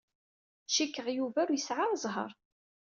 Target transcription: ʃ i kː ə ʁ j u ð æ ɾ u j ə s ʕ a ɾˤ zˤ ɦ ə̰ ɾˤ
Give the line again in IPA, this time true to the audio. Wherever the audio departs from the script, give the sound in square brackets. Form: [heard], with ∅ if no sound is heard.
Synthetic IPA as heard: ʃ i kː ə ʁ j u [v] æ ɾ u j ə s ʕ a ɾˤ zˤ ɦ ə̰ ɾˤ